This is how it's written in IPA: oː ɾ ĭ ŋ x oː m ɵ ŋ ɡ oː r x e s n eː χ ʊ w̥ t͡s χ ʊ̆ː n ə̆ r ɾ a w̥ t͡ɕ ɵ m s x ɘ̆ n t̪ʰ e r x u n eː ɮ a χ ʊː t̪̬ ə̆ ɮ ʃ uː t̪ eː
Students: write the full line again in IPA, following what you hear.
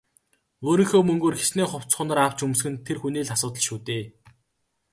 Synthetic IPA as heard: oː ɾ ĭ ŋ x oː m ɵ ŋ ɡ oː r x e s n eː χ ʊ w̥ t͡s χ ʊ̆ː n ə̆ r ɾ a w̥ t͡ɕ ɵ m s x ɘ̆ n t̪ʰ e r x u n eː ɮ a s ʊː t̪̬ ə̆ ɮ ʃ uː t̪ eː